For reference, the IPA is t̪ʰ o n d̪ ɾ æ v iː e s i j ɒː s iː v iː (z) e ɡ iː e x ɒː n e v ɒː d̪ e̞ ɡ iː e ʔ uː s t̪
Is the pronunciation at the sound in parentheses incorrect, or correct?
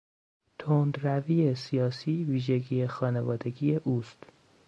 incorrect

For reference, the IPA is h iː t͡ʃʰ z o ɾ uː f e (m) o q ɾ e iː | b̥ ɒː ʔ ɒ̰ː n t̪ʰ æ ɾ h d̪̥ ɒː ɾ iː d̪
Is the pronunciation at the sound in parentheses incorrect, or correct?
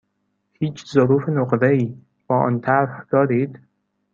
incorrect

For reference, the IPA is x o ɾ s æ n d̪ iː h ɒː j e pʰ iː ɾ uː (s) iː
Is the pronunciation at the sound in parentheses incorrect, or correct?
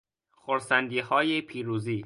incorrect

